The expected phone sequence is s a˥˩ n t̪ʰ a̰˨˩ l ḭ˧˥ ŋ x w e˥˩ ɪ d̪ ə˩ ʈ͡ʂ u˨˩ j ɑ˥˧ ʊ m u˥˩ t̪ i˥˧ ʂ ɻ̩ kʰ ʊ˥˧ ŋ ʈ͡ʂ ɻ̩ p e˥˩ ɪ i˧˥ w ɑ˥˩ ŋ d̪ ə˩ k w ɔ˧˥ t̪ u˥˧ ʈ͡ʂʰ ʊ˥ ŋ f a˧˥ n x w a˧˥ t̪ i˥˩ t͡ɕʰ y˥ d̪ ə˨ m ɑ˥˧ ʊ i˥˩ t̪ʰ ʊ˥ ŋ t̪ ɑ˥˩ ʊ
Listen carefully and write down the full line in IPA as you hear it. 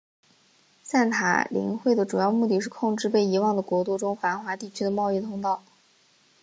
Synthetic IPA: s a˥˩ n t̪ʰ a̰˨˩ l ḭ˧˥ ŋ x w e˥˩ ɪ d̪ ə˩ ʈ͡ʂ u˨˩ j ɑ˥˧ ʊ m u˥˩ t̪ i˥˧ ʂ ɻ̩ kʰ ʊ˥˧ ŋ ʈ͡ʂ ɻ̩ p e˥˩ ɪ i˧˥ w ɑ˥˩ ŋ d̪ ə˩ k w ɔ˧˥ t̪ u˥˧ ʈ͡ʂ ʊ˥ ŋ f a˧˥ n x w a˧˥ t̪ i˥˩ t͡ɕʰ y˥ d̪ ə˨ m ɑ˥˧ ʊ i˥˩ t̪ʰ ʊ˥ ŋ t̪ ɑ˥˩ ʊ